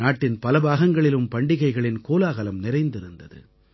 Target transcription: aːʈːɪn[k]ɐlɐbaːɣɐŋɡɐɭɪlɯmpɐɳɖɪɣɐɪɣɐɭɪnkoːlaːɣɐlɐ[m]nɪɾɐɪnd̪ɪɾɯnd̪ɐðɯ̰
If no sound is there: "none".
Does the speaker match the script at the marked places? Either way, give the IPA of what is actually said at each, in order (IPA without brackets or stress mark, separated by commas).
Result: p, m